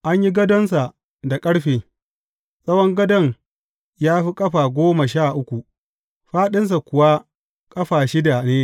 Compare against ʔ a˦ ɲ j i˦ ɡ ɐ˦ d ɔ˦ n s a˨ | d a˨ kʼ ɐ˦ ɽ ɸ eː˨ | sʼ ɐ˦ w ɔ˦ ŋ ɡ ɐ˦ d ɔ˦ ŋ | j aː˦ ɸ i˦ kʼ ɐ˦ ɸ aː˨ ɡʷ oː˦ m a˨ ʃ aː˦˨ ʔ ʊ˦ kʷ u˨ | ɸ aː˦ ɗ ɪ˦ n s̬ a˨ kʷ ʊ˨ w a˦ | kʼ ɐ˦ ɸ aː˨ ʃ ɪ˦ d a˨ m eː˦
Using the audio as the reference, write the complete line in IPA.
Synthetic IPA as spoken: ʔ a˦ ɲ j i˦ ɡ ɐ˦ d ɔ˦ n s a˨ | d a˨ kʼ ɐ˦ ɽ ɸ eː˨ | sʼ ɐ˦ w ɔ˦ ŋ ɡ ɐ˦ d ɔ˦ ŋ | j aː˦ ɸ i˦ kʼ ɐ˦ ɸ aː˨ ɡʷ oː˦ m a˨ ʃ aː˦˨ ʔ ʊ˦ kʷ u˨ | ɸ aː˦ ɗ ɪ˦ n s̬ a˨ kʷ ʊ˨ w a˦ | kʼ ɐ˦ ɸ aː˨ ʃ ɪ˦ d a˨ n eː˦